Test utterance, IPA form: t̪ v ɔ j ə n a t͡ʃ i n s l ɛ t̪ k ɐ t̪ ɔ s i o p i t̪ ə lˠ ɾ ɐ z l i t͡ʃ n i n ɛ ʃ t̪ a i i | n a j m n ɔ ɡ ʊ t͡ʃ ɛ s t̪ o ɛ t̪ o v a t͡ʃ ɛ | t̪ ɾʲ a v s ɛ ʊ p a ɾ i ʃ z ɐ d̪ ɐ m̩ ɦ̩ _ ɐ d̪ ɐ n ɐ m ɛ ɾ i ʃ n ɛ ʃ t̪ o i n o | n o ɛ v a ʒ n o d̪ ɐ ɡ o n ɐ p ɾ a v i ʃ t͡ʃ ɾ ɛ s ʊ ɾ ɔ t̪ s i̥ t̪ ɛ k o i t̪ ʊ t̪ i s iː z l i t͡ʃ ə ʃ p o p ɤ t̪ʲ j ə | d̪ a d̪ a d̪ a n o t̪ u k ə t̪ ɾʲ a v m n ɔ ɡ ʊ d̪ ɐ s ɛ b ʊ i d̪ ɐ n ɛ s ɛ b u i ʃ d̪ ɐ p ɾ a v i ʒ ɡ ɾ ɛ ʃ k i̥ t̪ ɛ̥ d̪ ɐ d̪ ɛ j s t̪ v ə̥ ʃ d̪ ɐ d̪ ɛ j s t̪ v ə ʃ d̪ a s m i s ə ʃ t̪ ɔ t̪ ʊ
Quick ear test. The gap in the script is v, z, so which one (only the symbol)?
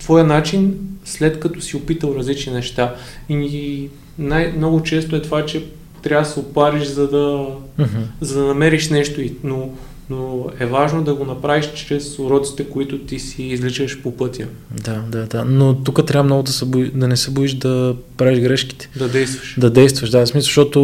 z